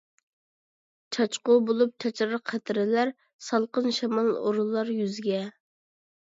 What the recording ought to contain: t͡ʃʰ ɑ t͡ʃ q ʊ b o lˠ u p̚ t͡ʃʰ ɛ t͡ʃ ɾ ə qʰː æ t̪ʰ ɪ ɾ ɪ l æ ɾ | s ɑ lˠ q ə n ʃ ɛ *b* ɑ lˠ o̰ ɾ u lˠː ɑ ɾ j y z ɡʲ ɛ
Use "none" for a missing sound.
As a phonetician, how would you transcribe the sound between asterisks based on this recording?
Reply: m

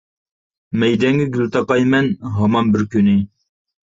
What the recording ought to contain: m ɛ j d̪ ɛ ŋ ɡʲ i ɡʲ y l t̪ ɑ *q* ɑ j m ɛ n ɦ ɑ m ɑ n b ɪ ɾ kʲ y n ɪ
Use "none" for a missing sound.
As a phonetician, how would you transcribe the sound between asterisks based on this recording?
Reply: q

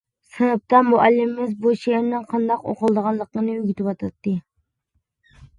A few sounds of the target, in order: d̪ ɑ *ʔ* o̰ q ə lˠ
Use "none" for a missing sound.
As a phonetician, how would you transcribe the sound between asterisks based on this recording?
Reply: q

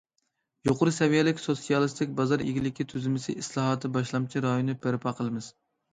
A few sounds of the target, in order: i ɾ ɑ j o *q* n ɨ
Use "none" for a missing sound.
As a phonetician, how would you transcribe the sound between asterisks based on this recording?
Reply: none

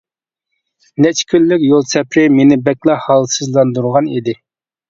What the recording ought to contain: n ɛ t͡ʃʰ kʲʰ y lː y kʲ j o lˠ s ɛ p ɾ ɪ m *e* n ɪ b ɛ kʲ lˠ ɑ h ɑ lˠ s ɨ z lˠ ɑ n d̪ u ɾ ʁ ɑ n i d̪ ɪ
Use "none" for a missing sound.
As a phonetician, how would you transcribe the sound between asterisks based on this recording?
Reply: e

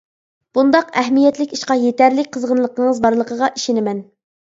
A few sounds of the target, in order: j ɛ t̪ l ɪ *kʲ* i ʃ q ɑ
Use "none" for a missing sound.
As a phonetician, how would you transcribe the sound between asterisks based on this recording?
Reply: kʲ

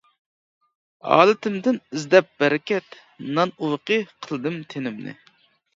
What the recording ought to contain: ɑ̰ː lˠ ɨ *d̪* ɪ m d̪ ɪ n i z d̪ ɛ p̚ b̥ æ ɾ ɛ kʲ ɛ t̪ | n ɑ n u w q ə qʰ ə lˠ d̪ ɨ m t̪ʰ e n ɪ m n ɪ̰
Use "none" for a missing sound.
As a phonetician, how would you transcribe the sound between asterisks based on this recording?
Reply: t̪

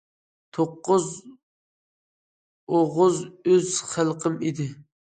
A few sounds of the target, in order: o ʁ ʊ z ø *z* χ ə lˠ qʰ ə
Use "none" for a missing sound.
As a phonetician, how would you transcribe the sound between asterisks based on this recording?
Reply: z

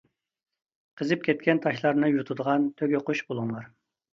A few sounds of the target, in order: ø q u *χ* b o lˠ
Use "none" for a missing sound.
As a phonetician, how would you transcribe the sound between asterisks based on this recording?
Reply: ʃ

